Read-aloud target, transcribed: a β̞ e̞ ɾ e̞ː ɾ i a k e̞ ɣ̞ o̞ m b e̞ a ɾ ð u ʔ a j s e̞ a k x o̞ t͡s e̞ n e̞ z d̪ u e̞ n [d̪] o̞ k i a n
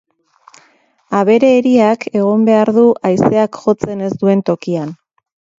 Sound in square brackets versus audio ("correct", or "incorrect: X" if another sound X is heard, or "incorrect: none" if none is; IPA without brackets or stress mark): incorrect: t̪